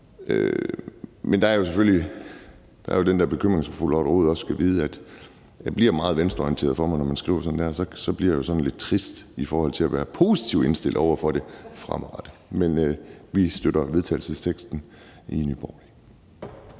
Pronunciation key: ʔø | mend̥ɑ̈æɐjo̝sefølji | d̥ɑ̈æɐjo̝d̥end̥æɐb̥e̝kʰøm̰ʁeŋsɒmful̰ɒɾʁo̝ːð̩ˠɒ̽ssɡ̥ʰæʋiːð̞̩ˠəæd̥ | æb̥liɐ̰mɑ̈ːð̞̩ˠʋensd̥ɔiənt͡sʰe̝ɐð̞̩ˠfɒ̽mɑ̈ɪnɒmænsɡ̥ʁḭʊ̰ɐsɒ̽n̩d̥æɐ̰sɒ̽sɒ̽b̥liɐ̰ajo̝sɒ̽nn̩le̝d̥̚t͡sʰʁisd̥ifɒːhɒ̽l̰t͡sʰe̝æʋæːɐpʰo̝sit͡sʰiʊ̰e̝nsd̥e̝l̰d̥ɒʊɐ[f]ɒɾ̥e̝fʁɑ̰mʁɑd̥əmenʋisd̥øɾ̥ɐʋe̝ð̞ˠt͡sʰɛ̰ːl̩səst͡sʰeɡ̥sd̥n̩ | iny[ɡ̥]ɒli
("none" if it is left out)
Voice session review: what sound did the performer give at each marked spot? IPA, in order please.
f, b̥

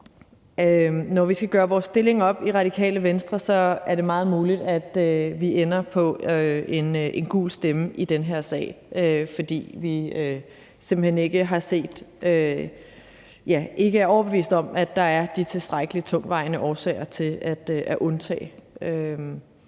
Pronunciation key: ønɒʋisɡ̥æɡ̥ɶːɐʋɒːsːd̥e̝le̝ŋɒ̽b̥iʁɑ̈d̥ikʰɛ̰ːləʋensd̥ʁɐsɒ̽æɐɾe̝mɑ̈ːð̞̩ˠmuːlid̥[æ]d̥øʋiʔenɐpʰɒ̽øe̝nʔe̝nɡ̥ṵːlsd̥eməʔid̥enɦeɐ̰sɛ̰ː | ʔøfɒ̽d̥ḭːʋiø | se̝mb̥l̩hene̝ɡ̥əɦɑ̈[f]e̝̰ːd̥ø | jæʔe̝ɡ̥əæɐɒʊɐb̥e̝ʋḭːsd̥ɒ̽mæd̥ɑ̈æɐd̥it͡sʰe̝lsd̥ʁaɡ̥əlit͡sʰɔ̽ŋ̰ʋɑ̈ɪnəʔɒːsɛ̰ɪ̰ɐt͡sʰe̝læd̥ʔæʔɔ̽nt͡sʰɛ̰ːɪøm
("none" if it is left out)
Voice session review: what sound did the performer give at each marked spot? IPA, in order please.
æ, s

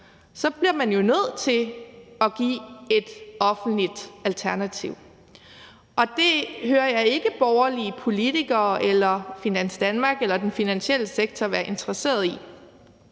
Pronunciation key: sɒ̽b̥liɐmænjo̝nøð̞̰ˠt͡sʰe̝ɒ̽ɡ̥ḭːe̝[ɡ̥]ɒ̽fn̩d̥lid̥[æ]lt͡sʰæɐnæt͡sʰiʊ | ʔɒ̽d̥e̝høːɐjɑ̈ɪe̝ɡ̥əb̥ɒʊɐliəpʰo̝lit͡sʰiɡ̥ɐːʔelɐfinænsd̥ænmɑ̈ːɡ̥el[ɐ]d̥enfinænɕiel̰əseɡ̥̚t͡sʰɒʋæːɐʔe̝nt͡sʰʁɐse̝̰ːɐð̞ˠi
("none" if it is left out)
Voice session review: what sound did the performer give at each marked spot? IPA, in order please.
d̥, æ, ɐ

